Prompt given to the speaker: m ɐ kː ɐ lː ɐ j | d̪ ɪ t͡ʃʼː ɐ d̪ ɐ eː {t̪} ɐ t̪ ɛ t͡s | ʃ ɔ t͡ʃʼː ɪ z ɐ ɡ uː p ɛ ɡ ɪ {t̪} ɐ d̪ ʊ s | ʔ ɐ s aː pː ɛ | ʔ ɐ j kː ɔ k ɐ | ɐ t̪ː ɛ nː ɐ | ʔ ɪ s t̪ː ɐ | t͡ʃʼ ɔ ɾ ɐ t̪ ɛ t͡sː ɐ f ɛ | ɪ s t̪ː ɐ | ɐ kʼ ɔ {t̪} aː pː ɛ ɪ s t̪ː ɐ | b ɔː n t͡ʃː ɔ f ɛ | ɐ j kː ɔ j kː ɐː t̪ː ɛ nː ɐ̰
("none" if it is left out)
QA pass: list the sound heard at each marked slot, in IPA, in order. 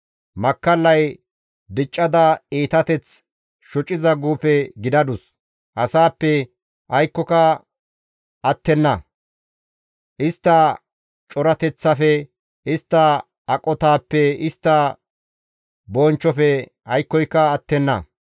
t̪, d̪, t̪

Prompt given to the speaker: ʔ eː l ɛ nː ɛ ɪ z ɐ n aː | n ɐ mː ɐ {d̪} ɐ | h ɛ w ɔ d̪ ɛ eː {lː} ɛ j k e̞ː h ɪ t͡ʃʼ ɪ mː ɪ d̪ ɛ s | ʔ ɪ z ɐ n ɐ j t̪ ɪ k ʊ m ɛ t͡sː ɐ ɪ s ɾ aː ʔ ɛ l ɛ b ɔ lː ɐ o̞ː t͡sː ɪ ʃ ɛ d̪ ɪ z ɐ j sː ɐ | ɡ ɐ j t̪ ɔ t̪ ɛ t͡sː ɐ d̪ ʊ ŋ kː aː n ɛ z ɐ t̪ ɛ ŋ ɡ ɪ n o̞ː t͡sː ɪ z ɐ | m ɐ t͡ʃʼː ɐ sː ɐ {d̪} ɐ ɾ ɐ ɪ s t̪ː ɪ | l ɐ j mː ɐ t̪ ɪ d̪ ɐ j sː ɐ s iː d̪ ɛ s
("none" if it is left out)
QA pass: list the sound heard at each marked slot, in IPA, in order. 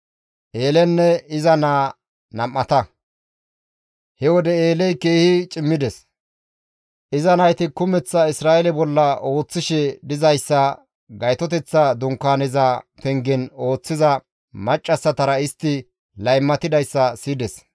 t̪, l, t̪

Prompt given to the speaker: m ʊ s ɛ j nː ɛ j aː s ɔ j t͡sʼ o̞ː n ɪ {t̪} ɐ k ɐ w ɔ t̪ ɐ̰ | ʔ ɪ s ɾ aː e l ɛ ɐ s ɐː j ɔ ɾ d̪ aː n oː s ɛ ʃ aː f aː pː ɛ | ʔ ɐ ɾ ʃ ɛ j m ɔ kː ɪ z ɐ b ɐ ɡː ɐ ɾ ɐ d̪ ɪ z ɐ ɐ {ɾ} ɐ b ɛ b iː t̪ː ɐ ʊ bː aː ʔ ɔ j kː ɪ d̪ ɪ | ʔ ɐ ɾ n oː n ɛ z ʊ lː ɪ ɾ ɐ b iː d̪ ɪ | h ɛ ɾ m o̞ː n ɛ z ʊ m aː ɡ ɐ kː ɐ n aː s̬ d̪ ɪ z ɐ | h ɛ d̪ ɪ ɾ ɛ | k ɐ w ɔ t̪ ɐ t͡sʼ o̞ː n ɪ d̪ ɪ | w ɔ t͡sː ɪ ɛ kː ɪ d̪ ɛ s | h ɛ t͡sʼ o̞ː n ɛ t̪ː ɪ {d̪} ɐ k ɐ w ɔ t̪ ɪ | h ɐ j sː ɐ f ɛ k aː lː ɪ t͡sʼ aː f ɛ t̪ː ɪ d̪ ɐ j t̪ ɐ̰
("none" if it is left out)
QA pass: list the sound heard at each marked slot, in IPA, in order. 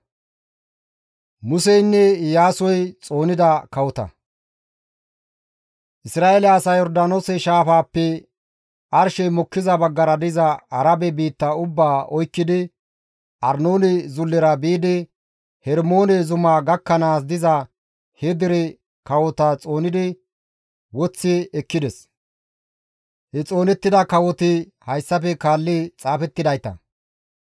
d̪, ɾ, d̪

